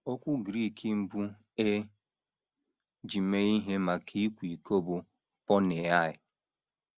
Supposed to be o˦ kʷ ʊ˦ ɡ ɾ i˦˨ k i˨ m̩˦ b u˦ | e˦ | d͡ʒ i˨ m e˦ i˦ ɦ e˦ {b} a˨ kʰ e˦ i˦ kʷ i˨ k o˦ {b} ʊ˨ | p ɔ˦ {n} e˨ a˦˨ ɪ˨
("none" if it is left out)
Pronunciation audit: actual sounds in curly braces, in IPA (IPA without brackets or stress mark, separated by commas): m, b, n